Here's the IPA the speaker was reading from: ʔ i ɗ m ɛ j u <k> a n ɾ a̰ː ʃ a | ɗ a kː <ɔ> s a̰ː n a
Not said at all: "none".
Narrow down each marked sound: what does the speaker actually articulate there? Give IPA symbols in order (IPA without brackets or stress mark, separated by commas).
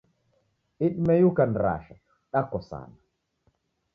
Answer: k, ɔ